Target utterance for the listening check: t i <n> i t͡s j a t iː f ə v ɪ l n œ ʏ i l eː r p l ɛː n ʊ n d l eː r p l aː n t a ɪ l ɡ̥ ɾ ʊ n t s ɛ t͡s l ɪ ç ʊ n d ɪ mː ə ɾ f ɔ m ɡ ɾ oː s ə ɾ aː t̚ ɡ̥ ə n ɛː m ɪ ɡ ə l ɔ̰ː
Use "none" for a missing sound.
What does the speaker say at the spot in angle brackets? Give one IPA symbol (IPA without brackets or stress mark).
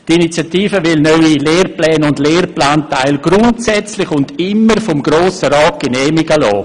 n